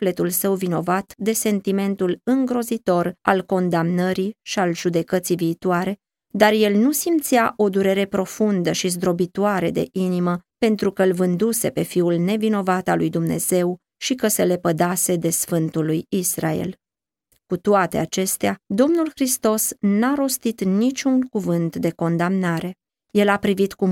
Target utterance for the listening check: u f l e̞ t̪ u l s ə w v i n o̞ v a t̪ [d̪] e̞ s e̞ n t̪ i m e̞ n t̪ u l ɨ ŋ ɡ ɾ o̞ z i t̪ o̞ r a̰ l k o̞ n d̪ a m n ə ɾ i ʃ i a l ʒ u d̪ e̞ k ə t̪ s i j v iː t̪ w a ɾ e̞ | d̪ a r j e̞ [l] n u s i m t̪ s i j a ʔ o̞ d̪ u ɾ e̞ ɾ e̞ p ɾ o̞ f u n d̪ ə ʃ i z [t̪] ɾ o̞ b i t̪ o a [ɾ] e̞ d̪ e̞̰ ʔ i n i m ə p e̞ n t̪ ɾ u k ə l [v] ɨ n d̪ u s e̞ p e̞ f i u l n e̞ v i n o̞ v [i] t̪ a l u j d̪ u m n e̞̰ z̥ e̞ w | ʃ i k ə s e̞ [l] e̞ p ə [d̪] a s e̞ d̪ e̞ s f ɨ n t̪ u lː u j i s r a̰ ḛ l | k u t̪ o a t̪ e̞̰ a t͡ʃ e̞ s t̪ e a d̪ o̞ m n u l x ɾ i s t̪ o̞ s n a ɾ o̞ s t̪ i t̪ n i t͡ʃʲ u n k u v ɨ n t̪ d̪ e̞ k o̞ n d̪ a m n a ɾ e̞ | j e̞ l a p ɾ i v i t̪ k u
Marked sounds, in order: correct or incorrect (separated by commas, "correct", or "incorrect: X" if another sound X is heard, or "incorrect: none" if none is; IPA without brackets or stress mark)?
correct, correct, incorrect: d̪, correct, correct, incorrect: a, correct, correct